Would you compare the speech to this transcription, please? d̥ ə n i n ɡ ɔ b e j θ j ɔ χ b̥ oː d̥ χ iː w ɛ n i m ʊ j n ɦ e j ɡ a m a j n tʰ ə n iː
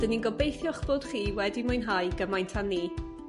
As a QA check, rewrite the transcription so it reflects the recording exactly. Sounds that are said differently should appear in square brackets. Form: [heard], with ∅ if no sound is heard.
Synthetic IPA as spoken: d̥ ə n i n ɡ ɔ b e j θ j ɔ χ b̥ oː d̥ χ iː w ɛ [d] i m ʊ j n ɦ [a] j ɡ [ə] m a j n tʰ [a] n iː